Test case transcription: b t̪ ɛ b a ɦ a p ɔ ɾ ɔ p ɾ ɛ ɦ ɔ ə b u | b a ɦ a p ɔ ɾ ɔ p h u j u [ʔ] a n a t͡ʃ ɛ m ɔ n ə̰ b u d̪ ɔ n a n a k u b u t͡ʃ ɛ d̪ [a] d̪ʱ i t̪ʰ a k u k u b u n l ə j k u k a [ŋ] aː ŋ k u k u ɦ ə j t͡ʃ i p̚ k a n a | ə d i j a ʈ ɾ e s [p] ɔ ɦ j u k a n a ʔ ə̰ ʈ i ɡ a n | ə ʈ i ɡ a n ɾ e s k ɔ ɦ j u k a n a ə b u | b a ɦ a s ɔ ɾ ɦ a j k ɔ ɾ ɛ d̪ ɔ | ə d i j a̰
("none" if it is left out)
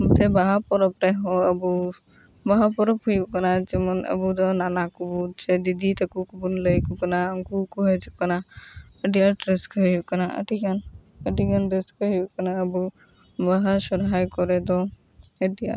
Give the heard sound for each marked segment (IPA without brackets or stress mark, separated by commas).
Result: k, i, n, k